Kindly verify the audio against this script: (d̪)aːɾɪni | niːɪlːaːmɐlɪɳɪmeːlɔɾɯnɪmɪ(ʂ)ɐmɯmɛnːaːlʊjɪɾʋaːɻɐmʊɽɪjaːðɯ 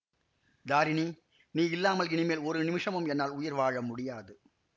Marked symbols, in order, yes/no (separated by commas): yes, yes